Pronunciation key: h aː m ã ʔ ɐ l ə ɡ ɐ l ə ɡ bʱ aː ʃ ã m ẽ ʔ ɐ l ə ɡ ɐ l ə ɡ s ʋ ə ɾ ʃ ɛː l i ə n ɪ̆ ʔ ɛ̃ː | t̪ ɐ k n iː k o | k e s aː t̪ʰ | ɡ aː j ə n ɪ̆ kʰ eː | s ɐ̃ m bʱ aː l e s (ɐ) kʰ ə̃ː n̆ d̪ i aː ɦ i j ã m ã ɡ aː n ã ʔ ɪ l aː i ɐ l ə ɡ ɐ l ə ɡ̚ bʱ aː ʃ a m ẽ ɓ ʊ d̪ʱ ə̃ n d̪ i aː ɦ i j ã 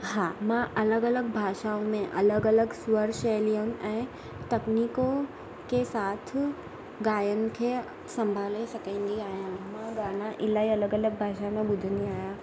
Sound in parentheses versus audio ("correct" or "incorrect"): correct